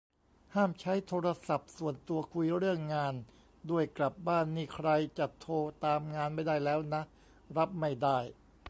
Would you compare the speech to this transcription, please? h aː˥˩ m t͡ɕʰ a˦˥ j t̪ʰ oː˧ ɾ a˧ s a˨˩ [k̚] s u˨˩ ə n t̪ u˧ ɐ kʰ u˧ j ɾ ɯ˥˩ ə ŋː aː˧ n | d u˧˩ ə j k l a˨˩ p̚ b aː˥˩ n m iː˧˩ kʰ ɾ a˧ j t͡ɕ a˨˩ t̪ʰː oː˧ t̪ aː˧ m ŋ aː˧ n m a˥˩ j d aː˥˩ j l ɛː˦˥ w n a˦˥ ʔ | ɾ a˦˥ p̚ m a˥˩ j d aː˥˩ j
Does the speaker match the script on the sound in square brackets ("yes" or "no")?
no